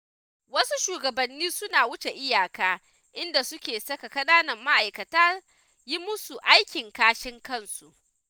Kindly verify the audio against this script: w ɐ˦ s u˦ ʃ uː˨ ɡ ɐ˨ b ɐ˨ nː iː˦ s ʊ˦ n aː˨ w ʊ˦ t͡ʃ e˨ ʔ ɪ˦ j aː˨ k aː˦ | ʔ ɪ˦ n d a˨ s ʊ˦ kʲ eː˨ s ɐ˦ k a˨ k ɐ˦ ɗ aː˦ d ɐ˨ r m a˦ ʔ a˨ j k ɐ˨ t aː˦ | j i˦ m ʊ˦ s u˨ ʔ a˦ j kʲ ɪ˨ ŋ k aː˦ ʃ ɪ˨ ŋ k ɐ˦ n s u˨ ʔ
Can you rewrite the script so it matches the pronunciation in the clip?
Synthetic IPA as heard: w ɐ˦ s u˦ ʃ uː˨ ɡ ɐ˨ b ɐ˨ nː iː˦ s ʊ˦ n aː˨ w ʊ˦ t͡ʃ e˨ ʔ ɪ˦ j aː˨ k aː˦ | ʔ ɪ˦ n d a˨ s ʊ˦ kʲ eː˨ s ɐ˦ k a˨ k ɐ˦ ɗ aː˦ n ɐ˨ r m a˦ ʔ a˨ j k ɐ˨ t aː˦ | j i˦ m ʊ˦ s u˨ ʔ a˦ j kʲ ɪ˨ ŋ k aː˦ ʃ ɪ˦ ŋ k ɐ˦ n s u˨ ʔ